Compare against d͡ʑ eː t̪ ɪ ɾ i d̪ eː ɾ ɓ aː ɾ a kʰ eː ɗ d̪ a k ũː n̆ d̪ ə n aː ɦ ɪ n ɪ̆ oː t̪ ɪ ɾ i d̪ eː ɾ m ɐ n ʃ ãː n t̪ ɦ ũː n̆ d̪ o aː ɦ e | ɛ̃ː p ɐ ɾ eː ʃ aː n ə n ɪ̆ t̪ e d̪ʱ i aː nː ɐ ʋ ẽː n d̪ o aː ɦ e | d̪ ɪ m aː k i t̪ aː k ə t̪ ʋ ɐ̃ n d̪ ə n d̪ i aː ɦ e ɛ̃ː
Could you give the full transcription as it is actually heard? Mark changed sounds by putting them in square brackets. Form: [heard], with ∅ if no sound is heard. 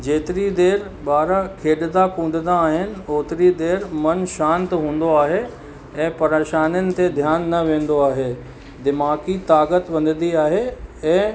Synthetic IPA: d͡ʑ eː t̪ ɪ ɾ i d̪ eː ɾ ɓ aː ɾ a kʰ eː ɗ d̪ a k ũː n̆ d̪ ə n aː ɦ ɪ n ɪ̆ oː t̪ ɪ ɾ i d̪ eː ɾ m ɐ n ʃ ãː n t̪ ɦ ũː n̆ d̪ o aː ɦ e | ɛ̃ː p ɐ ɾ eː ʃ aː n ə n ɪ̆ t̪ e d̪ʱ [j] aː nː ɐ ʋ ẽː n d̪ o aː ɦ e | d̪ ɪ m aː k i t̪ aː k ə t̪ ʋ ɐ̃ n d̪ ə n d̪ i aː ɦ e ɛ̃ː

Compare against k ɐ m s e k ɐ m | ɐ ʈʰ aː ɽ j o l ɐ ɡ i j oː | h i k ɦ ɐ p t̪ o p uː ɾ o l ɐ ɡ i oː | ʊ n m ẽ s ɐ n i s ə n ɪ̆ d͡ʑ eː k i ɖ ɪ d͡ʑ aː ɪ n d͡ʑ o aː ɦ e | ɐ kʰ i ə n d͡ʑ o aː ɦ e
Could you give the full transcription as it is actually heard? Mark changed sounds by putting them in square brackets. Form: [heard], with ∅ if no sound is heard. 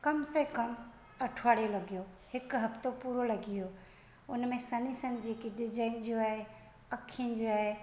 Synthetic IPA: k ɐ m s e k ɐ m | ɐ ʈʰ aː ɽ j o l ɐ ɡ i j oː | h [ɪ] k ɦ ɐ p t̪ o p uː ɾ o l ɐ ɡ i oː | ʊ n m ẽ s ɐ n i s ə n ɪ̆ d͡ʑ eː k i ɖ ɪ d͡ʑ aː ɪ n d͡ʑ o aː ɦ e | ɐ kʰ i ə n d͡ʑ o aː ɦ e

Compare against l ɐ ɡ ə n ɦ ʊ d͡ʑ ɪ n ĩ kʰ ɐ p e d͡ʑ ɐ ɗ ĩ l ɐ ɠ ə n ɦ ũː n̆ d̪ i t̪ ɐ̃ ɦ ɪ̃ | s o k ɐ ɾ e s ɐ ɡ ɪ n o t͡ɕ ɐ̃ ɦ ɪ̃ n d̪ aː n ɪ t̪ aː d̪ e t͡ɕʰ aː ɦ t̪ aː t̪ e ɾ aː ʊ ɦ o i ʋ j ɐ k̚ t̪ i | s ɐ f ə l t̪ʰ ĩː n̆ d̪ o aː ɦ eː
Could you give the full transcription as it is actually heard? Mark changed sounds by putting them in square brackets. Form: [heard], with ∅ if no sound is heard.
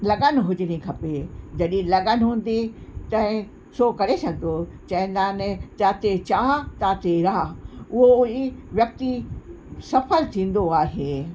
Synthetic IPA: l ɐ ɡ ə n ɦ ʊ d͡ʑ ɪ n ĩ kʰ ɐ p e d͡ʑ ɐ ɗ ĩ l ɐ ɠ ə n ɦ ũː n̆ d̪ i t̪ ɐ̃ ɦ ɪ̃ | s o k ɐ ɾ e s ɐ ɡ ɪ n o t͡ɕ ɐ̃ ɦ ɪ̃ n d̪ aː n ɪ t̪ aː [t̪] e [t͡ɕ] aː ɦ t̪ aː t̪ e ɾ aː ʊ ɦ o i ʋ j ɐ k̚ t̪ i | s ɐ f ə l t̪ʰ ĩː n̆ d̪ o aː ɦ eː

